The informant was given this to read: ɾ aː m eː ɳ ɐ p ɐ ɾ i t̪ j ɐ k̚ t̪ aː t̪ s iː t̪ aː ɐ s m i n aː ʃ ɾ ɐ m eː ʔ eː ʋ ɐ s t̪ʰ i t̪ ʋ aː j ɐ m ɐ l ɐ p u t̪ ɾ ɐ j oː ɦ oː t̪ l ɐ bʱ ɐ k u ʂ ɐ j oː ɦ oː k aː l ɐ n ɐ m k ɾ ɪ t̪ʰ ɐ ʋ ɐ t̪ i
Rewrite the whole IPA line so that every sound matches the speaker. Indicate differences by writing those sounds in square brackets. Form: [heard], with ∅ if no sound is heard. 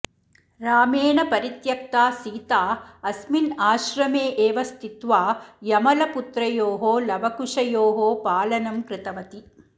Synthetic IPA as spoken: ɾ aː m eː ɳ ɐ p ɐ ɾ i t̪ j ɐ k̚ t̪ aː [∅] s iː t̪ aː ɐ s m i n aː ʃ ɾ ɐ m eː ʔ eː ʋ ɐ s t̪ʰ i t̪ ʋ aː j ɐ m ɐ l ɐ p u t̪ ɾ ɐ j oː ɦ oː [∅] l ɐ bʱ ɐ k u ʂ ɐ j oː ɦ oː [p] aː l ɐ n ɐ m k ɾ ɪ [t̪] ɐ ʋ ɐ t̪ i